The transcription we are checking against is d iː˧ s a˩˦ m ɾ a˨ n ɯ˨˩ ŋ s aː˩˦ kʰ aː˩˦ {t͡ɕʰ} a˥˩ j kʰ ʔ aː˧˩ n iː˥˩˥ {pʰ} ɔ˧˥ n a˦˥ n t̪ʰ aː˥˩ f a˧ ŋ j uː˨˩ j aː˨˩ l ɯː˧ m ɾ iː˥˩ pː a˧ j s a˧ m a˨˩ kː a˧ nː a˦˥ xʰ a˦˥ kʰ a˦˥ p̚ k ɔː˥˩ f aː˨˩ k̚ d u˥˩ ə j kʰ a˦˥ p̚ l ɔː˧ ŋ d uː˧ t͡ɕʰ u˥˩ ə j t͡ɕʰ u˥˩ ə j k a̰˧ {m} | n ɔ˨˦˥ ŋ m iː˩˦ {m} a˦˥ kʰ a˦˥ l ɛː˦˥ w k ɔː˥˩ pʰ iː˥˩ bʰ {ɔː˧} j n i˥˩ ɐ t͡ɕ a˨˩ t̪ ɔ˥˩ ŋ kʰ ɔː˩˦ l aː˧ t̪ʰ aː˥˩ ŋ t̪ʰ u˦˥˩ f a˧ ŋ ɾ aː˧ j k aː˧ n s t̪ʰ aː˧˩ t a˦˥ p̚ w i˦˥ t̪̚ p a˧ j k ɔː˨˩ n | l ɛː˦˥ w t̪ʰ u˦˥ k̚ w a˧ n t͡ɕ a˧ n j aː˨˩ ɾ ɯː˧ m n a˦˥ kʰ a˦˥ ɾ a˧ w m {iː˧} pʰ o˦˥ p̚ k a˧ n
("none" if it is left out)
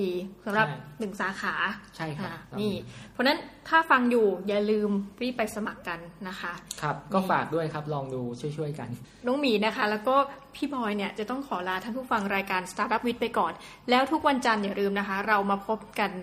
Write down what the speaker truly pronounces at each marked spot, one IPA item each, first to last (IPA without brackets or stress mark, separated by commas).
t͡ɕʰ, pʰ, n, n, ɔː˧, aː˧